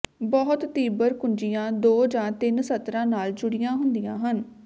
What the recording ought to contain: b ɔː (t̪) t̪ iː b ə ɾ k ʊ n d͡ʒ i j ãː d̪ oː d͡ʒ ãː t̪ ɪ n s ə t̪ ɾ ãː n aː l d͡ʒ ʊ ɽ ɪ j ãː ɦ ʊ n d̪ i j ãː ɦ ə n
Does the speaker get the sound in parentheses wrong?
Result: no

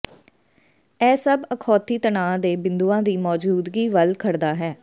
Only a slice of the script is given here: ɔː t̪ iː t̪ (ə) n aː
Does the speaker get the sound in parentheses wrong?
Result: no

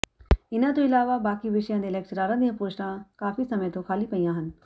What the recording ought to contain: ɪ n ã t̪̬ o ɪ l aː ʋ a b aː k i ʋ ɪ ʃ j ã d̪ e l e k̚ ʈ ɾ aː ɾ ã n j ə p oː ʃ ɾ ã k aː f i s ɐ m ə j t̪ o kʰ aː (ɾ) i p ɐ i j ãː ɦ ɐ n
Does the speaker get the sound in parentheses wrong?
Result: yes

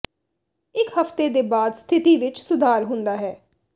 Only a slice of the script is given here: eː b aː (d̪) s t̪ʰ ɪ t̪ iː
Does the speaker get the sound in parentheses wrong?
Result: no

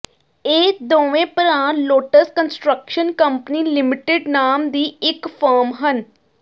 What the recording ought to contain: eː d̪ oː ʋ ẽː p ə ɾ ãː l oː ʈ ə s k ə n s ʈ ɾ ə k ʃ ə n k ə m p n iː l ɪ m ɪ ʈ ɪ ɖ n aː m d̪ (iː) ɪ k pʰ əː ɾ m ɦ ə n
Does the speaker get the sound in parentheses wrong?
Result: no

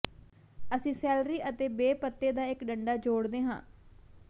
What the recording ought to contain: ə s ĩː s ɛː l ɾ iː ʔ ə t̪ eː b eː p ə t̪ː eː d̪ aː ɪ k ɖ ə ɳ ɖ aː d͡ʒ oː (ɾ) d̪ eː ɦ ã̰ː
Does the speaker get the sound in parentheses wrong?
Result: yes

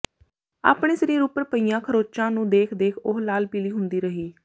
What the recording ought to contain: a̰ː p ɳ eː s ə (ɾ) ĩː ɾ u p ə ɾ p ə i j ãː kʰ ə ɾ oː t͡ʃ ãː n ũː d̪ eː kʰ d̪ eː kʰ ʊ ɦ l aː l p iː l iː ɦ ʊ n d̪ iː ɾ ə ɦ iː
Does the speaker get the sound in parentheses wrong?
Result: no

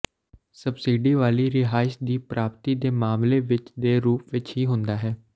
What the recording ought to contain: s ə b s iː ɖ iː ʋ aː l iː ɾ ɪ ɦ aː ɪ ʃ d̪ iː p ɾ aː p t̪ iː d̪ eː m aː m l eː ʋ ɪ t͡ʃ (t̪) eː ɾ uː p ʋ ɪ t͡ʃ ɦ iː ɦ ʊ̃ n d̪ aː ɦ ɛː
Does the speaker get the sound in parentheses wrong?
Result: yes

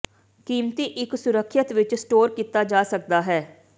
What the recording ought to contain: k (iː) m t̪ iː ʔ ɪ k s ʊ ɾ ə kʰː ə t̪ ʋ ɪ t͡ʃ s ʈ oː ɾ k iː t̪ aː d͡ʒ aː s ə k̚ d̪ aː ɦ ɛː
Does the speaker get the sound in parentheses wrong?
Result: no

